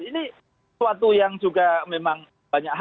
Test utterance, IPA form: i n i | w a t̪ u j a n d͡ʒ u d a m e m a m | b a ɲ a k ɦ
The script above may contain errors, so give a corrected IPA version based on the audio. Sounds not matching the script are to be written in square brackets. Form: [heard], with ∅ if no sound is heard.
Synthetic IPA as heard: i n i | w a t̪ u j a [ŋ] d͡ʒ u [ɡ] a m e m a [ŋ] | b a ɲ a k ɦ